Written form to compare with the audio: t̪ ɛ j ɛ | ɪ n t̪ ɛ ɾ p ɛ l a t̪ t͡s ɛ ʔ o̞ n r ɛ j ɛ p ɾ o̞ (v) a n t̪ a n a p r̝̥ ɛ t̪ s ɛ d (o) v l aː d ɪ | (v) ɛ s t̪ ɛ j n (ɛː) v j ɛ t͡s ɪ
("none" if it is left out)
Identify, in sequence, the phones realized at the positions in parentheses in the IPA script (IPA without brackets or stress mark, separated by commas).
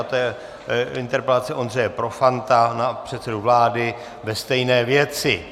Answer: f, u, v, ɛː